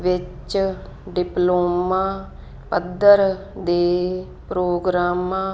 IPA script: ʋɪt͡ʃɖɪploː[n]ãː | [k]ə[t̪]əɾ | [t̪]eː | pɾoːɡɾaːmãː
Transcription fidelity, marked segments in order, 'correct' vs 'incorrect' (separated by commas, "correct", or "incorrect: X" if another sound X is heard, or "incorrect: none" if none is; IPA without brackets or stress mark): incorrect: m, incorrect: p, incorrect: d̪, incorrect: d̪